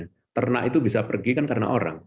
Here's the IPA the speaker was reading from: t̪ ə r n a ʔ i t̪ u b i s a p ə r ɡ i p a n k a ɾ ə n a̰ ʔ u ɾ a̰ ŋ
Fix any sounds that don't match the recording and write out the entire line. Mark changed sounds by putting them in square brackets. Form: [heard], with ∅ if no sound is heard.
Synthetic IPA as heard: t̪ ə r n a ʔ i t̪ u b i s a p ə r ɡ i [k] a n k a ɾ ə n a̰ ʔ [o] ɾ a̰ ŋ